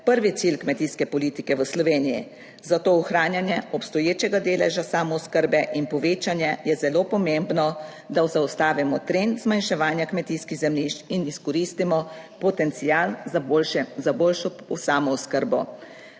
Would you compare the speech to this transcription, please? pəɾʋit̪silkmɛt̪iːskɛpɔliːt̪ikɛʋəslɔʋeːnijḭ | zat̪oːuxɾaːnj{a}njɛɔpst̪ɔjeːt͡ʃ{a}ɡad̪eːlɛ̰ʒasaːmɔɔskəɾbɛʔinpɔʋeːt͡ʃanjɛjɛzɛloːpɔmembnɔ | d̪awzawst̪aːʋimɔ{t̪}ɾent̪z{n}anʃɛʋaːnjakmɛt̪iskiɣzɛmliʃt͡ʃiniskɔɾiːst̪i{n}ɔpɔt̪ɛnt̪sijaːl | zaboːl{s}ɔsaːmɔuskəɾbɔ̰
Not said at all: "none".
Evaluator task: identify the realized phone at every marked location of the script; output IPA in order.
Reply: a, ɛ, t̪, m, m, ʃ

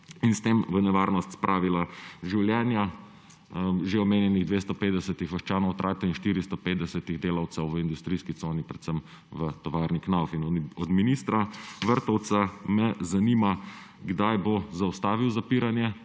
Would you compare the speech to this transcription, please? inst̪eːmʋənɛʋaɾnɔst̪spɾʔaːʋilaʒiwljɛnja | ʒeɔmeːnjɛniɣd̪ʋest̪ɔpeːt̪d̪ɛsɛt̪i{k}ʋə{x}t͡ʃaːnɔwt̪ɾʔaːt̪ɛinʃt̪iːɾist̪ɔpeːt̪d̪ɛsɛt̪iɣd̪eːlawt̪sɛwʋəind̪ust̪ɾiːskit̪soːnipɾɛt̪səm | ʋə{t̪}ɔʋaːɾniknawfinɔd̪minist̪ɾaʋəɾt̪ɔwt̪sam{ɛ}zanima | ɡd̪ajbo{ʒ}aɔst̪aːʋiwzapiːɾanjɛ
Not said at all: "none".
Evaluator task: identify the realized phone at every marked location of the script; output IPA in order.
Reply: x, ʃ, t̪, ɛ, z

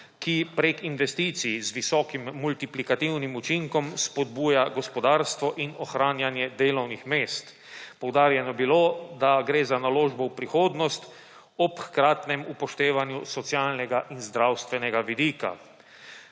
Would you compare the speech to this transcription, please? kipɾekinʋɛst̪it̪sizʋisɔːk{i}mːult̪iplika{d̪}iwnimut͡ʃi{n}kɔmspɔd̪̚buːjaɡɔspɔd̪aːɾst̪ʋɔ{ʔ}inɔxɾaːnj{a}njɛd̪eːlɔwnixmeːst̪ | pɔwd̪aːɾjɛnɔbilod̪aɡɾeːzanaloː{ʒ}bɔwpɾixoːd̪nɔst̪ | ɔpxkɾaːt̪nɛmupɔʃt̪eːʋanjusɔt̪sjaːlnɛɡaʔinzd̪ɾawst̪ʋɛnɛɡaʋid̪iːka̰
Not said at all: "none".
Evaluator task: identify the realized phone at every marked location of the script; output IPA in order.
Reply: i, t̪, ŋ, ʔ, a, ʒ

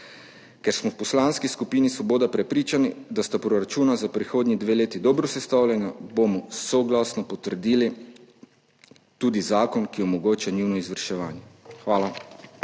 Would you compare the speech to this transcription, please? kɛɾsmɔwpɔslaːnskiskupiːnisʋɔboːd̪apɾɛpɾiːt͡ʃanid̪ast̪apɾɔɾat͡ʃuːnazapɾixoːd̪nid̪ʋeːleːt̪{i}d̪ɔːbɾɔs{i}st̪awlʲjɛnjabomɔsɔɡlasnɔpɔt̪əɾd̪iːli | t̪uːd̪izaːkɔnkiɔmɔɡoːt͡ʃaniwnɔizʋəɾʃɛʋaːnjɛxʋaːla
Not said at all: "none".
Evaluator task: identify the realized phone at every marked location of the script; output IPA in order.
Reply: i, ɛ

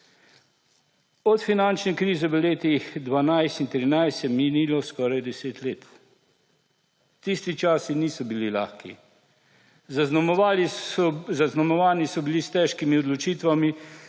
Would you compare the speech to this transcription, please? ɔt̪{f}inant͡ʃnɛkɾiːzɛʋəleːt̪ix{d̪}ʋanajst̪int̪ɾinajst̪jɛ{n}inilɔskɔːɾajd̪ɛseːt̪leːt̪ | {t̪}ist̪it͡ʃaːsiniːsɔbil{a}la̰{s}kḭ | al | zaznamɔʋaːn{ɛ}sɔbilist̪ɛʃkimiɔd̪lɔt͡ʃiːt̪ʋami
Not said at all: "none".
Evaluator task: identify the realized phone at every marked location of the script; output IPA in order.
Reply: f, d̪, m, t̪, i, x, i

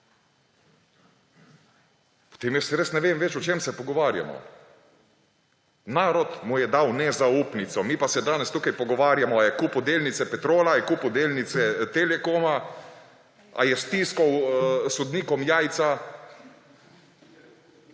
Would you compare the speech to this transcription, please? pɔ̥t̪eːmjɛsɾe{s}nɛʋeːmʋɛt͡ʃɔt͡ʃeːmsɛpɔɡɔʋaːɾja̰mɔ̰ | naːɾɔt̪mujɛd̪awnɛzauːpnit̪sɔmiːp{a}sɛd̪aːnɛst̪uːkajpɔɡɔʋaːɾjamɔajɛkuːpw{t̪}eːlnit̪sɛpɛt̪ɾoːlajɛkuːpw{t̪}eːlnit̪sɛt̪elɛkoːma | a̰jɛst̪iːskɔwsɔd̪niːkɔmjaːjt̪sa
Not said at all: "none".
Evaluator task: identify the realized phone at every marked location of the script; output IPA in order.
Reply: s, a, d̪, d̪

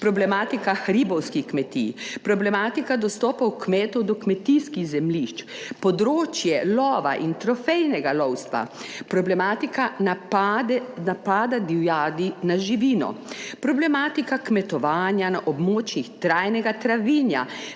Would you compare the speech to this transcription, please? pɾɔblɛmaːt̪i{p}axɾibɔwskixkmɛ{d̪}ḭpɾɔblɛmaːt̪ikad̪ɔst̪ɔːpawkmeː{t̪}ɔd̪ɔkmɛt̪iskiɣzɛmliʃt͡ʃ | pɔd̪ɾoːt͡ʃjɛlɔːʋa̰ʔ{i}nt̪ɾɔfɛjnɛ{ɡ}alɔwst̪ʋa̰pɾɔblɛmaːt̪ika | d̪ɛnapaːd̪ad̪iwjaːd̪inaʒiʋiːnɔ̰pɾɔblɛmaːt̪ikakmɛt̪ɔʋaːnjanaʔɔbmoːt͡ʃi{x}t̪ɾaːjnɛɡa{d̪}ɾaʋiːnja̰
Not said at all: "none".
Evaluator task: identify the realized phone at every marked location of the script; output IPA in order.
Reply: k, t̪, t̪, i, ɡ, x, t̪

